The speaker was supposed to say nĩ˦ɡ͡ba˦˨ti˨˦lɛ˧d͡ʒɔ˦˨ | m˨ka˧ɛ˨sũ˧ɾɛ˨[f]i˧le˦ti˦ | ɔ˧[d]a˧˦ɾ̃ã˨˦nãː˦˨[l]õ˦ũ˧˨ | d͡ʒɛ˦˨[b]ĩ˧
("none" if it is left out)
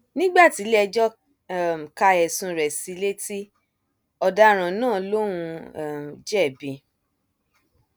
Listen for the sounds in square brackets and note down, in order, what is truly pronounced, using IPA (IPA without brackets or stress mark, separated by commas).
s, d, l, b